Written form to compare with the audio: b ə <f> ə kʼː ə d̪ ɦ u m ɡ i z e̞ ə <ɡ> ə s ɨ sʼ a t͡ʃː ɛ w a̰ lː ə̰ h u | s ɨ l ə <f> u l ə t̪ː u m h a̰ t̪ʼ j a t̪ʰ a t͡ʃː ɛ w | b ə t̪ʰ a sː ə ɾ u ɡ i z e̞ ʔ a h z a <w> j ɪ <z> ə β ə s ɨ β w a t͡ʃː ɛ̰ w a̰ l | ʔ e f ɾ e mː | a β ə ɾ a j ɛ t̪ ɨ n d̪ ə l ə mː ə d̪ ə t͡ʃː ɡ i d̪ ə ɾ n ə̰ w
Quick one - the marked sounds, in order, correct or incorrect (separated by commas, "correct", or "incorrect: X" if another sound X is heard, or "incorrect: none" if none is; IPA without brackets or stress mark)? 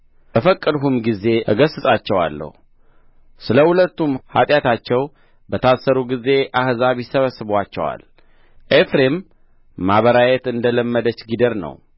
correct, correct, incorrect: h, incorrect: β, incorrect: s